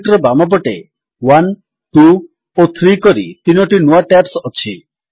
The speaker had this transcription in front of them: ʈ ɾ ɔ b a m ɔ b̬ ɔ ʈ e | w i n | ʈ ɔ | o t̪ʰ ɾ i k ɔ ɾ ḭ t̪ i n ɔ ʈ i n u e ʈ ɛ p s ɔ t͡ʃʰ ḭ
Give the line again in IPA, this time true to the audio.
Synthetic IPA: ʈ ɾ ɔ b a m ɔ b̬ ɔ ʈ e | w a n | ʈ u | o t̪ʰ ɾ i k ɔ ɾ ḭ t̪ i n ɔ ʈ i n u a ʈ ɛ p s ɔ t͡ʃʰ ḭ